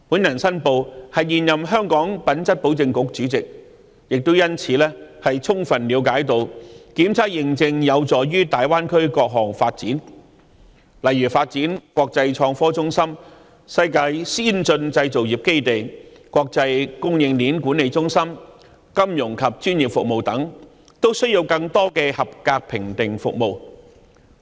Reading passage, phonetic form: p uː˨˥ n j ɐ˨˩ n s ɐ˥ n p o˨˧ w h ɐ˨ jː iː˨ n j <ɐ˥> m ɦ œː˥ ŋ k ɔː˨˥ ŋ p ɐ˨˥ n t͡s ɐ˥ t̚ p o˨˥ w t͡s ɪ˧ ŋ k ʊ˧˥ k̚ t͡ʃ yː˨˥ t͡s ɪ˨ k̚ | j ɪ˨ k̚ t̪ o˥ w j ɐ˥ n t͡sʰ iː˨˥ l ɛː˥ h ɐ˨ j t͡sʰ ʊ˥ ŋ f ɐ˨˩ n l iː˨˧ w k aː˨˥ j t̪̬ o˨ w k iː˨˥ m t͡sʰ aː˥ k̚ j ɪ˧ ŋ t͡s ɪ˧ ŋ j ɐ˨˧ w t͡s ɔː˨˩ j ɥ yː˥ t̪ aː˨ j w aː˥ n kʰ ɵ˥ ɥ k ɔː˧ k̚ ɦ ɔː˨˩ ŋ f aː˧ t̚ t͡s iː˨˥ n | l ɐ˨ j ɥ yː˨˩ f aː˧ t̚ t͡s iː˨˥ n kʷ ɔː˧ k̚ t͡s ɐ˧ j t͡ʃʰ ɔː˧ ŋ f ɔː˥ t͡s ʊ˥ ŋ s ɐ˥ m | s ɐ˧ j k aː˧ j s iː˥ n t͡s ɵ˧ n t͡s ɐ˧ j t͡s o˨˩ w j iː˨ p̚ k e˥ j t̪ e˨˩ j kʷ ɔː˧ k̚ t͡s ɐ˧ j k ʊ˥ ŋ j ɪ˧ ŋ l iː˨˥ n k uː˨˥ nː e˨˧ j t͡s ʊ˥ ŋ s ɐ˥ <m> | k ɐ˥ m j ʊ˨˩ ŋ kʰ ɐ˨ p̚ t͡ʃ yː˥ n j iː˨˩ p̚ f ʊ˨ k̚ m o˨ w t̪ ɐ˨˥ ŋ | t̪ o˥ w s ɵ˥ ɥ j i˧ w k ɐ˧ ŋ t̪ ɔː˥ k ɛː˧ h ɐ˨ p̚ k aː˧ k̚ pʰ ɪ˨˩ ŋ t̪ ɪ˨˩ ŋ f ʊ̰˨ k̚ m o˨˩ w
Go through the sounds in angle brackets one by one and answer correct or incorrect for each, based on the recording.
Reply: incorrect, correct

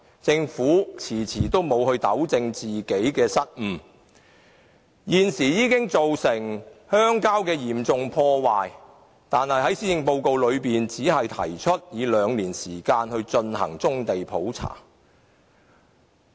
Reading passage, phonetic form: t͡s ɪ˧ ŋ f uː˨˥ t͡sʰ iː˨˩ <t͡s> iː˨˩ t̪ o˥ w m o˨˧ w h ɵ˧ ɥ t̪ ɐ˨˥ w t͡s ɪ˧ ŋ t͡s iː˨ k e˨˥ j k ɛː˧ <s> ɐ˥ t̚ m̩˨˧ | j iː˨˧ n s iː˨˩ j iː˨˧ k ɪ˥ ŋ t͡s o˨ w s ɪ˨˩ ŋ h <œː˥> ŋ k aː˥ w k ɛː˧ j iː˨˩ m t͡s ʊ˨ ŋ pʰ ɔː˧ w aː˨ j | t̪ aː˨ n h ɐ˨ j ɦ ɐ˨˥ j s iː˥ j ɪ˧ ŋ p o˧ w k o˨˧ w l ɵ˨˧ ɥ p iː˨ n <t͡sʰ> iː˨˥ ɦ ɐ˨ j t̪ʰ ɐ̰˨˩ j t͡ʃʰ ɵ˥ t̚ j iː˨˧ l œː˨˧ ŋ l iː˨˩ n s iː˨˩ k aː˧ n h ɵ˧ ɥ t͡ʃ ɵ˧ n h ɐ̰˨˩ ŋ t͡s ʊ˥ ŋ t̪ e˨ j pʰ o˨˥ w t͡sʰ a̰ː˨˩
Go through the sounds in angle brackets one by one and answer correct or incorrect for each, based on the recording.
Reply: incorrect, correct, correct, incorrect

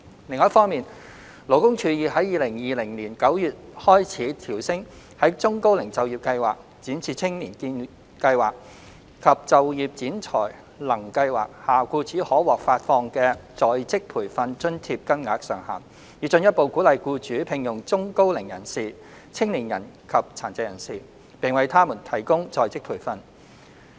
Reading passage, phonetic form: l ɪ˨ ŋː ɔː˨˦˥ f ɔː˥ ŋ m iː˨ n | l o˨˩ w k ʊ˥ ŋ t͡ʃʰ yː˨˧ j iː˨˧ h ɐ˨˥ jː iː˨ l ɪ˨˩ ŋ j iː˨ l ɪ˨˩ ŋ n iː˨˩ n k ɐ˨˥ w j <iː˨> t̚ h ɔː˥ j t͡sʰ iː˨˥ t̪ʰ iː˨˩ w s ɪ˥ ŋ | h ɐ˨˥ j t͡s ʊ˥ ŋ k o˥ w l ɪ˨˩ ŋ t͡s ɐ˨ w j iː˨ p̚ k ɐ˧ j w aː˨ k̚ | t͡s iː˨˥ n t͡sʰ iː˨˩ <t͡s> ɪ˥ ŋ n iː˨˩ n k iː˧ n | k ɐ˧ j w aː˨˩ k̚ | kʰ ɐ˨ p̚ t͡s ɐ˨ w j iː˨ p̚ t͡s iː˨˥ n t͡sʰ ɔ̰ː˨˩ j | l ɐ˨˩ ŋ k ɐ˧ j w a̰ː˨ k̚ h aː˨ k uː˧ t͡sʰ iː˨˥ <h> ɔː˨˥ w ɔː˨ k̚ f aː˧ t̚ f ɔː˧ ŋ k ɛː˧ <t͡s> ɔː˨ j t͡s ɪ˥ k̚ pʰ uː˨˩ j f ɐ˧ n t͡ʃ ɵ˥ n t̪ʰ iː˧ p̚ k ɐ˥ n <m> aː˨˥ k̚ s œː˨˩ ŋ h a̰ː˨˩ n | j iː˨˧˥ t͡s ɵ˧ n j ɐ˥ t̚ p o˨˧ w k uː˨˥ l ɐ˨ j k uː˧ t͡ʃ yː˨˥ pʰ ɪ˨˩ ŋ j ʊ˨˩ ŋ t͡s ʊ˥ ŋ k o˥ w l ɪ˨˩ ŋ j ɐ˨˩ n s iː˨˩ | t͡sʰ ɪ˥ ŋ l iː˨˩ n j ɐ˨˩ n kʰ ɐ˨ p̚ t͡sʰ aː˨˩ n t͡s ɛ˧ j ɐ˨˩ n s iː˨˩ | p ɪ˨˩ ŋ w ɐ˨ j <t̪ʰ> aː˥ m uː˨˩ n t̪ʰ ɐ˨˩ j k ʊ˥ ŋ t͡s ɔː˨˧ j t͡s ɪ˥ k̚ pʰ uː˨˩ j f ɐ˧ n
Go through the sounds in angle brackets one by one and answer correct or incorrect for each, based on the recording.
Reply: incorrect, incorrect, correct, correct, incorrect, correct

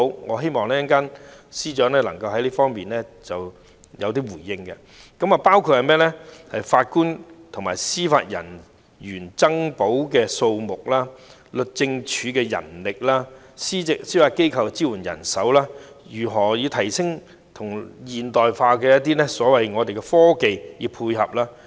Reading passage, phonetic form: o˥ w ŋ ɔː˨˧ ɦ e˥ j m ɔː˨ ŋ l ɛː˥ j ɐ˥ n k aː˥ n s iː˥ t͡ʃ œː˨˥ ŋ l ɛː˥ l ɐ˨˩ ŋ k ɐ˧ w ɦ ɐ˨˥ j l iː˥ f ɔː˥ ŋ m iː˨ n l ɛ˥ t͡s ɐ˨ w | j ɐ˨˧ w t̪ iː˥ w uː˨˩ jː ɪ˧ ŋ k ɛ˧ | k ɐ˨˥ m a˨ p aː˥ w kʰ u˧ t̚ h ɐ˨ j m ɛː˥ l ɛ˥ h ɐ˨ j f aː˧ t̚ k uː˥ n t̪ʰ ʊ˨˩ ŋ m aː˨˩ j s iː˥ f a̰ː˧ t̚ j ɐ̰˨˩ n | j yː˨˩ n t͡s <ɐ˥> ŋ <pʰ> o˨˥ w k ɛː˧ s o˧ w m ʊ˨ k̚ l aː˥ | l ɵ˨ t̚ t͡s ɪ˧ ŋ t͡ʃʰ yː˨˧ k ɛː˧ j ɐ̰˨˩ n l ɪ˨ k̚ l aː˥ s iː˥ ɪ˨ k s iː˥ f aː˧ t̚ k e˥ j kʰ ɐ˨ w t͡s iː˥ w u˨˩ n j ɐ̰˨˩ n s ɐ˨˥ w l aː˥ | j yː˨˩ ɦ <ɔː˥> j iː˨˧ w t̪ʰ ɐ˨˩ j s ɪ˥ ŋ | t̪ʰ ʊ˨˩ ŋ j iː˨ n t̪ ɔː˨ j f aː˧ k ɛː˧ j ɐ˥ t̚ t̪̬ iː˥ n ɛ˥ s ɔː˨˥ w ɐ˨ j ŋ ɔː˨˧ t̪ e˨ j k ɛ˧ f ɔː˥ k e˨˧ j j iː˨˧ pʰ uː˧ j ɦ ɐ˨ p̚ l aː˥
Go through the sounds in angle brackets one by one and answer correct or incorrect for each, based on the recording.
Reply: correct, incorrect, incorrect

